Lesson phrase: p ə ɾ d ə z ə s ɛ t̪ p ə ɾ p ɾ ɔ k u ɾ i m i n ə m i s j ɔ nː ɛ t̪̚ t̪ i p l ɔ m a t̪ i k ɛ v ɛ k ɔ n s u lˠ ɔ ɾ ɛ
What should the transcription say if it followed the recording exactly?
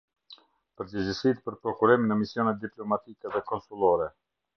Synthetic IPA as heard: p ə ɾ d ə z ə s i t̪ p ə ɾ p ɾ ɔ k u ɾ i m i n ə m i s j ɔ n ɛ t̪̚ d̪ i p l ɔ m a t̪ i k ɛ ð ɛ k ɔ n s u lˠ ɔ ɾ ɛ